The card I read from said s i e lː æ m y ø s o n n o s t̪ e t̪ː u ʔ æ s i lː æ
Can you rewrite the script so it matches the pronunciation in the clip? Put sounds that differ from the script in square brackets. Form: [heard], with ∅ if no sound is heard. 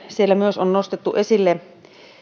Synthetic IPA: s i e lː æ m y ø s o n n o s t̪ e t̪ː u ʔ [e] s i lː [e]